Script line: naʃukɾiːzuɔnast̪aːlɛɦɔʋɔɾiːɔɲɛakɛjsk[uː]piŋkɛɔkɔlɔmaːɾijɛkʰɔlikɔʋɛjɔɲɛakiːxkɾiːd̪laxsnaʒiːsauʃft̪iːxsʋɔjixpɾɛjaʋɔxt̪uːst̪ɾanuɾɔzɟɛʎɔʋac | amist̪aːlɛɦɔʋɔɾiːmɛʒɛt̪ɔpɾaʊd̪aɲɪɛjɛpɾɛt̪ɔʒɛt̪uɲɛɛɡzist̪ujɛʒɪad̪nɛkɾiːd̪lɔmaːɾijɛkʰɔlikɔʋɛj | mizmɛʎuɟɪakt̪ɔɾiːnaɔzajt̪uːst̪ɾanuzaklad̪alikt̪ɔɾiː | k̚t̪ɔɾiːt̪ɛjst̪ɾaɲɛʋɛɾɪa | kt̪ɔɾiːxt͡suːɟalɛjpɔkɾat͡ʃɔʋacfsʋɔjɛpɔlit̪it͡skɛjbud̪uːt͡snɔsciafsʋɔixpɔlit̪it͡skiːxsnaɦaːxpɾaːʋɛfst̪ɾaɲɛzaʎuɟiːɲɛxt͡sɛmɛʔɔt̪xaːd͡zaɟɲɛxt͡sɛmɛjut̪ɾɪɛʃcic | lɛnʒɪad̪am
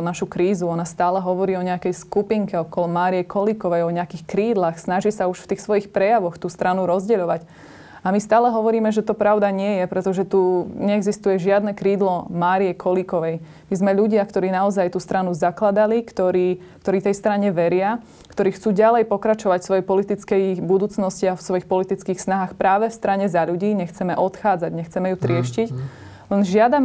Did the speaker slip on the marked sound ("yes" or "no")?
yes